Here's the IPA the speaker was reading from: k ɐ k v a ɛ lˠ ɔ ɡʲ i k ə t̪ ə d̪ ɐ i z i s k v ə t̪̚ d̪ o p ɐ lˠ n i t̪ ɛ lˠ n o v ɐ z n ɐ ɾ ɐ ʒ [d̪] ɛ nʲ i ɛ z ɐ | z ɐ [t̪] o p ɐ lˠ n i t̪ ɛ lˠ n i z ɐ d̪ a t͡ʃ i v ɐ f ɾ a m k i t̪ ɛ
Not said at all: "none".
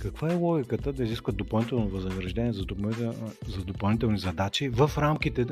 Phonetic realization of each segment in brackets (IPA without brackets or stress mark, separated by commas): d̪, d̪